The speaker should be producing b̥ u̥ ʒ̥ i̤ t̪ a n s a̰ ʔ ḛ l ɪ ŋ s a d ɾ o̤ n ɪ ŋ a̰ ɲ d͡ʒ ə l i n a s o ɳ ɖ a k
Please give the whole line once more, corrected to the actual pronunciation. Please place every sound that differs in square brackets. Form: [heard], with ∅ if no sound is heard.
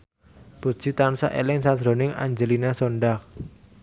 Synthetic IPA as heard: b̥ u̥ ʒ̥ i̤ t̪ a n s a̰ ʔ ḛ l ɪ ŋ s a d ɾ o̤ n ɪ ŋ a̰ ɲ d͡ʒ ə l i n a s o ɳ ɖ a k